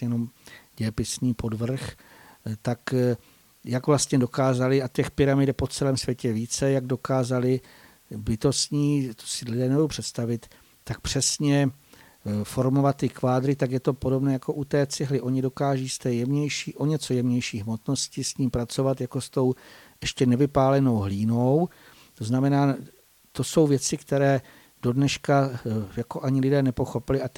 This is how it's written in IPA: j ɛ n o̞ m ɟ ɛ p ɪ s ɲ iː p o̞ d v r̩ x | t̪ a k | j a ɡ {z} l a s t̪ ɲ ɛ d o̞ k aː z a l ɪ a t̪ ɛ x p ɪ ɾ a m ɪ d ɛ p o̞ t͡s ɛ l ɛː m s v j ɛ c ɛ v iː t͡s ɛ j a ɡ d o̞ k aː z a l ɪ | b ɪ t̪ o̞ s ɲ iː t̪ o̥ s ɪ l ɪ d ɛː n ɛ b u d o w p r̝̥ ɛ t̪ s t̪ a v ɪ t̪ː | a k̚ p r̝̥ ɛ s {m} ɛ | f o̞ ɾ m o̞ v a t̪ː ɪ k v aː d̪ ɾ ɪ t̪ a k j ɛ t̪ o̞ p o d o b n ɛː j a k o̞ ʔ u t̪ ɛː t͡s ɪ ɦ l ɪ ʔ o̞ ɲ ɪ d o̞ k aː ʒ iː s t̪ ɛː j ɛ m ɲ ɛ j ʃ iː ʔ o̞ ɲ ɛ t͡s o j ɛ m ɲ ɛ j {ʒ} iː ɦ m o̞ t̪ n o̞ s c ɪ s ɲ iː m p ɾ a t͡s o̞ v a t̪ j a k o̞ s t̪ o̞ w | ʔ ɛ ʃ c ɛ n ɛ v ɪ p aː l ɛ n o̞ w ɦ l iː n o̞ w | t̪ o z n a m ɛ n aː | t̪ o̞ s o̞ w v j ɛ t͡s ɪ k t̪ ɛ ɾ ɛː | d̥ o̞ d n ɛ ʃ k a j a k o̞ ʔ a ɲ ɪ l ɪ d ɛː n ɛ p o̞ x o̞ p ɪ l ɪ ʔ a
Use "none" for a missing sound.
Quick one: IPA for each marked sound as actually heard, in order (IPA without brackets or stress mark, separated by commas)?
v, ɲ, ʃ